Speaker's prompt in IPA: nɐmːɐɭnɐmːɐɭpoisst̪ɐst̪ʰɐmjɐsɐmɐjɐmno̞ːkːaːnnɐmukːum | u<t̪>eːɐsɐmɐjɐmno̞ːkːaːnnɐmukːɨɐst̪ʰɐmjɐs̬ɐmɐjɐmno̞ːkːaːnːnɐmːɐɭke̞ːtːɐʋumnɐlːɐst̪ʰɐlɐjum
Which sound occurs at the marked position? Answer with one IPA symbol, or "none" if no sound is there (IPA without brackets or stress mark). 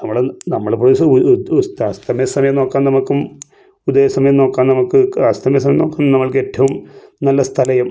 d̪